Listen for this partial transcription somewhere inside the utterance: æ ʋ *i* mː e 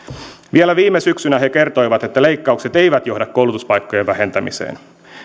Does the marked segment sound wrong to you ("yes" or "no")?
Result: yes